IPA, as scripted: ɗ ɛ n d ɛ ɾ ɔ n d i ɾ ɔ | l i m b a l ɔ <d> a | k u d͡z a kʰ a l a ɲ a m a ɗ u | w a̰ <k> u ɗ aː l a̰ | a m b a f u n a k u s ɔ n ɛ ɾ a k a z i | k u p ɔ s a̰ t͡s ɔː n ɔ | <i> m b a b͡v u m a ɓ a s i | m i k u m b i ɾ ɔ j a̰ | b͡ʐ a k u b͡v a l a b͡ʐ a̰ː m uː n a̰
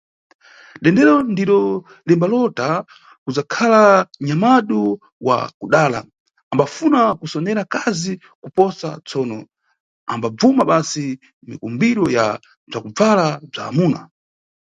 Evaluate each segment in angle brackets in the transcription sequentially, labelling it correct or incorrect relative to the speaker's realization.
incorrect: t, correct, incorrect: a

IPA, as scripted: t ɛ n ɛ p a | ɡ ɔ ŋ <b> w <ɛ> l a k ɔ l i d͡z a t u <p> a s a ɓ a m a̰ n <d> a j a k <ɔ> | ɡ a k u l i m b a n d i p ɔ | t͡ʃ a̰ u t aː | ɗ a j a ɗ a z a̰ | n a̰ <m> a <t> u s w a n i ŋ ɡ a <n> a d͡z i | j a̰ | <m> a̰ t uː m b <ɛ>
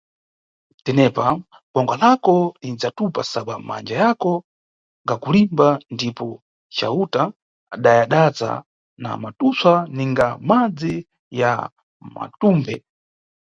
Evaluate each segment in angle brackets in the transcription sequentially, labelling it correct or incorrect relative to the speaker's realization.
incorrect: ɡ, incorrect: a, correct, incorrect: d͡ʒ, correct, correct, correct, incorrect: m, correct, correct

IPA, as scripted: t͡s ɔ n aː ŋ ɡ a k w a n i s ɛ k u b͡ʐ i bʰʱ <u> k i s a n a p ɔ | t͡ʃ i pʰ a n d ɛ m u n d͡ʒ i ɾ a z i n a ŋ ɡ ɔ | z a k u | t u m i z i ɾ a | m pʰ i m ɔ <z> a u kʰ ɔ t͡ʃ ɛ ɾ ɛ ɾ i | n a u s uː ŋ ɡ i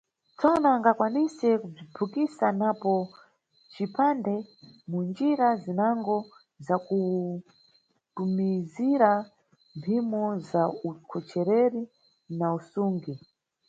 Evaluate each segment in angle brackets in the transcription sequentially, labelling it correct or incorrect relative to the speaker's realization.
correct, correct

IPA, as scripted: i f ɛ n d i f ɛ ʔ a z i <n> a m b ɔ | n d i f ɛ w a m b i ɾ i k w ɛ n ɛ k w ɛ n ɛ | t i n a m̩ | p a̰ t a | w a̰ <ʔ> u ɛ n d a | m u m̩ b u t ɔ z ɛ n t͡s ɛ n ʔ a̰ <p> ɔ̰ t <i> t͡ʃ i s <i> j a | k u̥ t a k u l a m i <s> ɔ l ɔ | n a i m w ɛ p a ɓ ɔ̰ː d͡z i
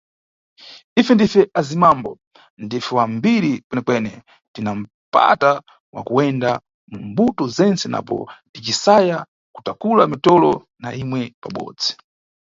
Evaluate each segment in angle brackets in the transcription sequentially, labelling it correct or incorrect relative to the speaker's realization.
incorrect: m, incorrect: k, correct, correct, incorrect: a, incorrect: t

